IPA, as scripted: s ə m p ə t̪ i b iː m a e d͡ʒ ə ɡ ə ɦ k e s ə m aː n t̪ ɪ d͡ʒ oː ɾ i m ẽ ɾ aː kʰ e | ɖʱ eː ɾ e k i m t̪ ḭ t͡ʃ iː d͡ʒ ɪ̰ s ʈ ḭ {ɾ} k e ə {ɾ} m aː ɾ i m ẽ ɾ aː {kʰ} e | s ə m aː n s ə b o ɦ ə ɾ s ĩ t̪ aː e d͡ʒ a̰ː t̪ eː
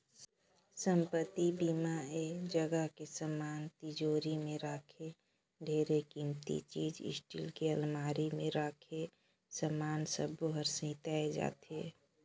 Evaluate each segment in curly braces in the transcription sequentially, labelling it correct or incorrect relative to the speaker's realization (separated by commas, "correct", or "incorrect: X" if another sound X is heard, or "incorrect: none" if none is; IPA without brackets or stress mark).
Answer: incorrect: l, incorrect: l, correct